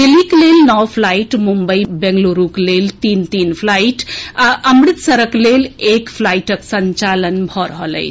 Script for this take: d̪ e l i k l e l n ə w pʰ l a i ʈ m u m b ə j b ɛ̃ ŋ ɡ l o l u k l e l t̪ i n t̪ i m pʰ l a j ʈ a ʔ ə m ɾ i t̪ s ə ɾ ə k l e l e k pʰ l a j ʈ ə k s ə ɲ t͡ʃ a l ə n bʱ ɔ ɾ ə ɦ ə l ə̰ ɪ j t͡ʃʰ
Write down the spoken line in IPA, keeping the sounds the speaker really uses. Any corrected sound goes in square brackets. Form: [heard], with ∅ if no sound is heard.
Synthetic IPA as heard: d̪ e l i k l e l n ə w pʰ l a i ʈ m u m b ə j b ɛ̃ ŋ ɡ l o [ɾ] u k l e l t̪ i n t̪ i [n] pʰ l a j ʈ a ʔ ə m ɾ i t̪ s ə ɾ ə k l e l e k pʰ l a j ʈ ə k s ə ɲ t͡ʃ a l ə n bʱ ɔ ɾ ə ɦ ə l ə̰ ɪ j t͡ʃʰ